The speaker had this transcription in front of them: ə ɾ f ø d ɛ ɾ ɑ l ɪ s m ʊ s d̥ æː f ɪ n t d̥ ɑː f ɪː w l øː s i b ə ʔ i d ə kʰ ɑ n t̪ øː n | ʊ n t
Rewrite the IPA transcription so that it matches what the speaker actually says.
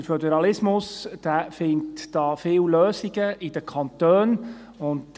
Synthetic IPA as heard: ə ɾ f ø d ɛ ɾ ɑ l ɪ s m ʊ s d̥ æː f ɪ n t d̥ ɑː f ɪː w l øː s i ɡ ə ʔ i d ə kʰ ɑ n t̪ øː n | ʊ n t

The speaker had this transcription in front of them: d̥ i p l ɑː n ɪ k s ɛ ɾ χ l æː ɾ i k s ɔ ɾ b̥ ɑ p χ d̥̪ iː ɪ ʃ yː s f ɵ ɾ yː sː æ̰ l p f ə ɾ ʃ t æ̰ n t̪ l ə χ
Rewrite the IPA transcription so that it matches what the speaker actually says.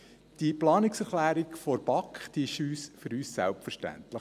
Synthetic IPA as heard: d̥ i p l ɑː n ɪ k s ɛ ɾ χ l æː ɾ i k f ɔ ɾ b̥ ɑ k χ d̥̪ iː ɪ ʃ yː s f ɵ ɾ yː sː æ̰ l p f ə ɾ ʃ t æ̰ n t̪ l ə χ

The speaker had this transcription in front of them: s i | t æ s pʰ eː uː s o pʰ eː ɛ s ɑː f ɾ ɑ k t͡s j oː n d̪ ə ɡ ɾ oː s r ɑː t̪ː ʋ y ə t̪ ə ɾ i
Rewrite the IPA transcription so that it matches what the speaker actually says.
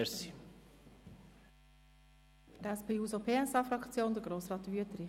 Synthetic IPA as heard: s i | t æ s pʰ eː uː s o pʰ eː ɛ s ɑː f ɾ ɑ k t͡s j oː n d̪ ə ɡ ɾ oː s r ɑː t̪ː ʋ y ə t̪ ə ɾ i

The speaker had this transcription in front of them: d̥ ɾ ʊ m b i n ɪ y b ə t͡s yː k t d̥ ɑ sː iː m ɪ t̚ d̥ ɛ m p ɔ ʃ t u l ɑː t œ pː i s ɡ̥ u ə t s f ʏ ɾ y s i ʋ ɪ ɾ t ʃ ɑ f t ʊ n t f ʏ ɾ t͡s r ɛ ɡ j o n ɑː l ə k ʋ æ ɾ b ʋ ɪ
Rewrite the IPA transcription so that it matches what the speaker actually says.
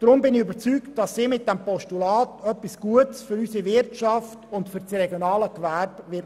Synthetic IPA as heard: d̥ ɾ ʊ m b ɪ n ɪ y b ə t͡s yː k t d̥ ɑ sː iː m ɪ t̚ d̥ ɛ m p ɔ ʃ t u l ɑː t œ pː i s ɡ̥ u ə t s f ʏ ɾ y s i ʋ ɪ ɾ t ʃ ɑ f t ʊ n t f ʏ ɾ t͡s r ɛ ɡ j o n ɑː l ə k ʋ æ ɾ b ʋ ɪ

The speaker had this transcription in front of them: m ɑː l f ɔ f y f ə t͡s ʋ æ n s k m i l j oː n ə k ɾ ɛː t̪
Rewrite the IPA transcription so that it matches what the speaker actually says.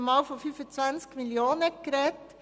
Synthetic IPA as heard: m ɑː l f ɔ f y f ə t͡s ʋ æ n s k m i l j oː n ə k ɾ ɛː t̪

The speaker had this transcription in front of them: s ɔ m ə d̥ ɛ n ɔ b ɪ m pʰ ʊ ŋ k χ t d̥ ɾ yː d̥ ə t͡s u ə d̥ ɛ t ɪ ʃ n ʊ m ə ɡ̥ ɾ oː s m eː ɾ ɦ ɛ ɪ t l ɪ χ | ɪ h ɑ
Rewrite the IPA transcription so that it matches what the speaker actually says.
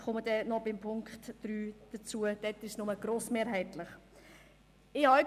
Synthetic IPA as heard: χ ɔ m ə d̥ ɛ n ɔ b ɪ m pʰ ʊ ŋ k χ t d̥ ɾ yː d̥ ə t͡s u ə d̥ ɛ t ɪ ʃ n ʊ m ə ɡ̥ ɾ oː s m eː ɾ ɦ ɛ ɪ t l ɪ χ | ɪ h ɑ

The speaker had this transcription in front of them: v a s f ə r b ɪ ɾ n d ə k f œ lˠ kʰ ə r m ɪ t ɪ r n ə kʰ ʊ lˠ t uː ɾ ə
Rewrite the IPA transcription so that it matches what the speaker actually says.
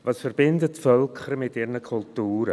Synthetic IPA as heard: v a s f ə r b ɪ n d ə t f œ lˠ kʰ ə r m ɪ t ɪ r n ə kʰ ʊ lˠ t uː ɾ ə

